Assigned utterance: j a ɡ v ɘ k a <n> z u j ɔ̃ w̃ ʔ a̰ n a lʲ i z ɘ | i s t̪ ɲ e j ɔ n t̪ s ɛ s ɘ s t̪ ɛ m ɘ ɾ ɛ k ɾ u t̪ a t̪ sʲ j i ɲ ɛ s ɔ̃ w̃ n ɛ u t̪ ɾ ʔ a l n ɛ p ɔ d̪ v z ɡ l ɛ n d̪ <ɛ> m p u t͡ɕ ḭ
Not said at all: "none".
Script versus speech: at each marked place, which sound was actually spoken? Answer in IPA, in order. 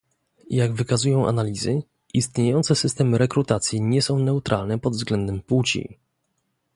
none, ɛ

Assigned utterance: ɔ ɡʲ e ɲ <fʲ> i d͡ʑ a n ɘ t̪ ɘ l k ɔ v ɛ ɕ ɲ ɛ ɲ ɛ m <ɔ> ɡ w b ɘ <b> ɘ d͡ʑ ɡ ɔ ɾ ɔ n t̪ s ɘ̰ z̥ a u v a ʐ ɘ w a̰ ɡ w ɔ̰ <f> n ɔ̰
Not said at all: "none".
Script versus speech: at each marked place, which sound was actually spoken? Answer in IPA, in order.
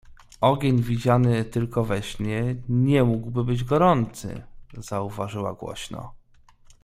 vʲ, u, b, ɕ

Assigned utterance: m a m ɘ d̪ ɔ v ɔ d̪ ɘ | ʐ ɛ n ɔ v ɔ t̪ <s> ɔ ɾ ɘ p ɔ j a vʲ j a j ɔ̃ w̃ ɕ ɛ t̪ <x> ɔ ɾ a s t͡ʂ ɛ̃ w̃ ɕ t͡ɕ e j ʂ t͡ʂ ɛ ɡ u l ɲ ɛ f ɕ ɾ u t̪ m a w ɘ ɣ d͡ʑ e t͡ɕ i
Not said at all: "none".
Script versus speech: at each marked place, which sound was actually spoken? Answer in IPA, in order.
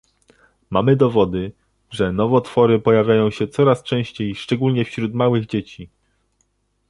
f, s

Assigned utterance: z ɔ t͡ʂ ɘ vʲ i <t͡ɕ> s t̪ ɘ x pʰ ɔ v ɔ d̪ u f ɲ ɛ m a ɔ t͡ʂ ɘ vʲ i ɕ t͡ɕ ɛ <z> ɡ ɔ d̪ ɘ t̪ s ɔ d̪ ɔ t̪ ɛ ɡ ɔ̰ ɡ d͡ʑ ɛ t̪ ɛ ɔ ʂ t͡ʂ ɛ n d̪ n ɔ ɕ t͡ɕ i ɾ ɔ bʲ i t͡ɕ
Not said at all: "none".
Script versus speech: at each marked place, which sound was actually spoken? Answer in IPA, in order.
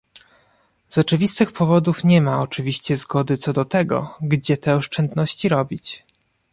none, z

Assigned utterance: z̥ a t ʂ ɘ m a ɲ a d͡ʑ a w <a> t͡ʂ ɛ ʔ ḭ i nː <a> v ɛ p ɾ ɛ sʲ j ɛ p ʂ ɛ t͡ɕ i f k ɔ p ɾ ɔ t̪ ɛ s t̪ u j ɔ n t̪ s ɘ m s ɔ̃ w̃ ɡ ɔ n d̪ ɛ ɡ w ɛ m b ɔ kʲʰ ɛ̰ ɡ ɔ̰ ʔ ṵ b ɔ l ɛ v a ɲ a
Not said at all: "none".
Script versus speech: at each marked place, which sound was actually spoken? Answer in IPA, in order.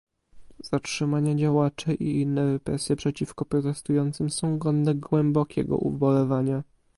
a, ɛ

